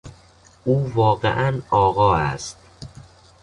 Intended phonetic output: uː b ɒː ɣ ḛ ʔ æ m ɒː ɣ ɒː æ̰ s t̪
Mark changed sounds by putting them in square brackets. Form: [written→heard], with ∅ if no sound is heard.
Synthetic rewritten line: uː [b→v] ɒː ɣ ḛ ʔ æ [m→n] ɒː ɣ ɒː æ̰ s t̪